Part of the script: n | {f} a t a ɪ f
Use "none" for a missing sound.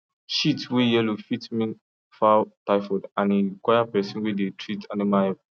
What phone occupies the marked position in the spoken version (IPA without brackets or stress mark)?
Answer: f